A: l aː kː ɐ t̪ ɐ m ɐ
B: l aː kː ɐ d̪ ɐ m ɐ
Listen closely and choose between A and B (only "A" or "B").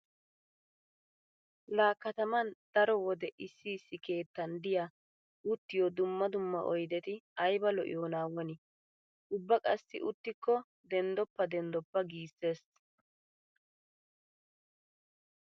A